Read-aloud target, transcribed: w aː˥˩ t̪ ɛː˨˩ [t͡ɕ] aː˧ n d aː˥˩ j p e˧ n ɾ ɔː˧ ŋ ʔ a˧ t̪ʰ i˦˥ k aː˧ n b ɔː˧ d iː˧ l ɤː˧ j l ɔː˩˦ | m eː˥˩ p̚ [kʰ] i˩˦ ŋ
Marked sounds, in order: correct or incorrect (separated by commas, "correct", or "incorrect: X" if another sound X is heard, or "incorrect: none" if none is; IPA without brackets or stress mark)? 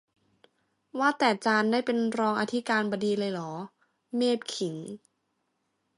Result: correct, correct